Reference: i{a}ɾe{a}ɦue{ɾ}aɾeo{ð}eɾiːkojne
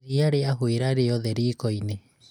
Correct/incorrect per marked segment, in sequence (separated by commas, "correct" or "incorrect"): correct, correct, correct, correct